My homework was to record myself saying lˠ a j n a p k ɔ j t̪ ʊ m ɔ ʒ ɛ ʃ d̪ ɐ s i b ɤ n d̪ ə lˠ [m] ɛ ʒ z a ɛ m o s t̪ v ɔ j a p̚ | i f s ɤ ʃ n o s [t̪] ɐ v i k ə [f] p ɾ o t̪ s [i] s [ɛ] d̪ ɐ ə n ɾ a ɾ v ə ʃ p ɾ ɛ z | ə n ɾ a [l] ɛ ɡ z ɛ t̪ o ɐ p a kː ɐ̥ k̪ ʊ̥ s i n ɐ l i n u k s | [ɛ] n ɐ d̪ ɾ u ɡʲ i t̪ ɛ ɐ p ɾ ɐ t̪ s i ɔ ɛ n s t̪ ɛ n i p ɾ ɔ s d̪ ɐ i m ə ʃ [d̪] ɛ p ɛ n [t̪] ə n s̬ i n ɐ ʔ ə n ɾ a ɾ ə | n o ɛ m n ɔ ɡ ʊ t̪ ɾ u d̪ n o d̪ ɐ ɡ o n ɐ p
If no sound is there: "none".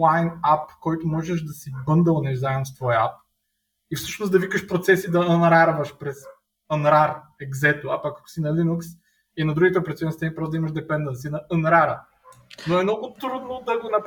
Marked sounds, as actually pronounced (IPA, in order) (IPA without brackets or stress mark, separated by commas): n, d̪, ʃ, ɛ, i, ɾ, i, d̪, d̪